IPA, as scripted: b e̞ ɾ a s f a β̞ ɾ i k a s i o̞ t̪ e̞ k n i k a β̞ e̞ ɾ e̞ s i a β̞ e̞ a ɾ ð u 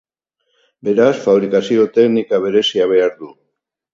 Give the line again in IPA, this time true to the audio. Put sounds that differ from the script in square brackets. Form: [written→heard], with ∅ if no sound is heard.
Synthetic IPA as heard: b e̞ ɾ a s f a β̞ ɾ i k a s i o̞ t̪ e̞ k n i k a β̞ e̞ ɾ e̞ s i a β̞ e̞ a ɾ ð u